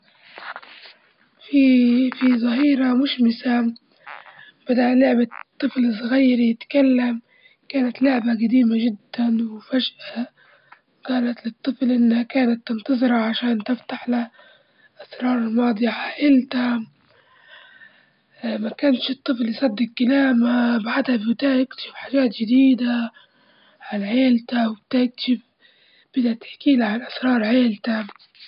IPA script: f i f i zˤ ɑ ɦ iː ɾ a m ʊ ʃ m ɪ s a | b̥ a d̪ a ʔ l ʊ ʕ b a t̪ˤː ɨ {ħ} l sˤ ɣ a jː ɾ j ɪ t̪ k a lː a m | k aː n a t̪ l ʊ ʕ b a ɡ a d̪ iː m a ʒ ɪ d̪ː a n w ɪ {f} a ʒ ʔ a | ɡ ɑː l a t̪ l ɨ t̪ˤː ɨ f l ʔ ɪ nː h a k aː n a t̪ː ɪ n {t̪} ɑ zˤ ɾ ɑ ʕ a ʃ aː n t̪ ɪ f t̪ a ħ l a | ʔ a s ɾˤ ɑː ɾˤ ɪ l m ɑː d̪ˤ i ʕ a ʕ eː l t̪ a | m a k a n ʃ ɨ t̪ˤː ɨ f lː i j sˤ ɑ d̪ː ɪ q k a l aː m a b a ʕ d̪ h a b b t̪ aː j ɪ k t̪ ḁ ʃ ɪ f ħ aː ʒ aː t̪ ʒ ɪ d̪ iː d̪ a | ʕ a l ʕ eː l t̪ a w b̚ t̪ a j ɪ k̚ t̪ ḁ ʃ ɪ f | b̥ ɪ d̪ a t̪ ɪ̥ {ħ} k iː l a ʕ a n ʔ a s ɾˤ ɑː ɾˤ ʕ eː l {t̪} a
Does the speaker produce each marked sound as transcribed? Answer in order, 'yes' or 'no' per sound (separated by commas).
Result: no, yes, yes, yes, yes